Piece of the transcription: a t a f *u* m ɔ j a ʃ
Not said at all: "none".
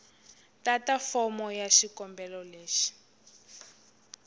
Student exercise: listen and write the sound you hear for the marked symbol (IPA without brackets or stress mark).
ɔ